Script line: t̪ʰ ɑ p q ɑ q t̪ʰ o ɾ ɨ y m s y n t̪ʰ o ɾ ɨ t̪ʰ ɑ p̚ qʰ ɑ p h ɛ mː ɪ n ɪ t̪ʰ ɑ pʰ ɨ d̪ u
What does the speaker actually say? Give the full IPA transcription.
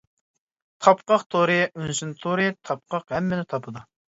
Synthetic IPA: t̪ʰ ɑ p q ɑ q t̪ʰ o ɾ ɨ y n s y n t̪ʰ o ɾ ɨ t̪ʰ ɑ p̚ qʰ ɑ q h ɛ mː ɪ n ɪ t̪ʰ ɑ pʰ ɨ d̪ u